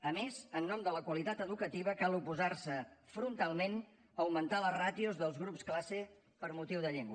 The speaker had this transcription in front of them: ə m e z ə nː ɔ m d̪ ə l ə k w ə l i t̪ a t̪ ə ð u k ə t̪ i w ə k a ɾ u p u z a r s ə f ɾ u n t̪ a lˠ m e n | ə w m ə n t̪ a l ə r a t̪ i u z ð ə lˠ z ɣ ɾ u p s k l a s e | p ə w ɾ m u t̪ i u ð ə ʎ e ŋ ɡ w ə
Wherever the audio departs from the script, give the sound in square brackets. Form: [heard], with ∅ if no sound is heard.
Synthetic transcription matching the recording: ə m e z ə nː ɔ m d̪ ə l ə k w ə l i t̪ a t̪ ə ð u k ə t̪ i [β] ə k a [l] u p u z a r s ə f ɾ u n t̪ a lˠ m e n | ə w m ə n t̪ a l ə r a t̪ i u z ð ə lˠ z ɣ ɾ u p s k l a s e | p ə [∅] ɾ m u t̪ i [w] ð ə ʎ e ŋ ɡ w ə